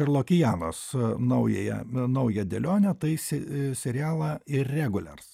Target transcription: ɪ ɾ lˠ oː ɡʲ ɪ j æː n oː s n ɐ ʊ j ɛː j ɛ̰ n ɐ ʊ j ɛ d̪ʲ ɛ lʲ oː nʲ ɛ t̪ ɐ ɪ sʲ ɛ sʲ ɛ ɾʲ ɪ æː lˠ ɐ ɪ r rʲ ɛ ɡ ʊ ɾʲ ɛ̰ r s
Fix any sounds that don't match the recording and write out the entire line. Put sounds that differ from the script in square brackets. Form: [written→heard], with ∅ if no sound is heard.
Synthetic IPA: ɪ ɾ lˠ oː [ɡʲ→kʲ] ɪ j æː n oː s n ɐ ʊ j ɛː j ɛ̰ n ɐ ʊ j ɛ d̪ʲ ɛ lʲ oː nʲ ɛ t̪ ɐ ɪ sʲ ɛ sʲ ɛ ɾʲ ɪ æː lˠ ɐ ɪ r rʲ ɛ ɡ ʊ [ɾʲ→lʲ] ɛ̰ r s